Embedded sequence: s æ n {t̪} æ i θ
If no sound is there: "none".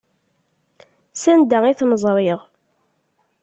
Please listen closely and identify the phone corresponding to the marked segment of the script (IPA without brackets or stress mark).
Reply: d̪